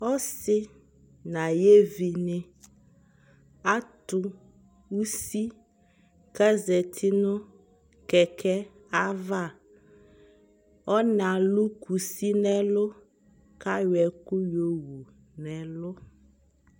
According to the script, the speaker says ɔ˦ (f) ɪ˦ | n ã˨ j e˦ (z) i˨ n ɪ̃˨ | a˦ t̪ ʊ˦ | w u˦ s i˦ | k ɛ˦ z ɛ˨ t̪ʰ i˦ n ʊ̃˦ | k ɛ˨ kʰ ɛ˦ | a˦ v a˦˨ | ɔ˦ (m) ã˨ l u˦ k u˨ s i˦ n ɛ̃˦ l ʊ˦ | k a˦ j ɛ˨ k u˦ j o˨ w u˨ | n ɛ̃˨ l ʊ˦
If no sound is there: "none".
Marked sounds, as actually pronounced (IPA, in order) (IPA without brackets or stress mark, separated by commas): s, v, n